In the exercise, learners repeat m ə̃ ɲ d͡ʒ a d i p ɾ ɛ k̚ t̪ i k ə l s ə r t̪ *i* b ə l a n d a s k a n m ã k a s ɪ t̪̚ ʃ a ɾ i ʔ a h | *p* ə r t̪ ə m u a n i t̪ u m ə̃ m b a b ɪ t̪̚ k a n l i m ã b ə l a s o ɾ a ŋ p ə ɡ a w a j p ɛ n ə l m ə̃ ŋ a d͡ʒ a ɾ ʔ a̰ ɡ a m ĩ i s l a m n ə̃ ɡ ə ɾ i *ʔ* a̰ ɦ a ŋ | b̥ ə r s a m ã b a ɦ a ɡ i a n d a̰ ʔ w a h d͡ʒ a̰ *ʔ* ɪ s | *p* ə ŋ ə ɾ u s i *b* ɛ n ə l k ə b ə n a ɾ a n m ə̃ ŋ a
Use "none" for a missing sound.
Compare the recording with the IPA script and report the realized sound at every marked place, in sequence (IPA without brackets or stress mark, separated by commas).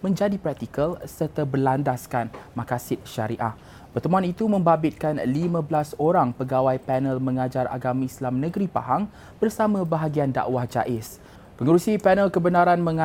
a, p, p, ʔ, p, p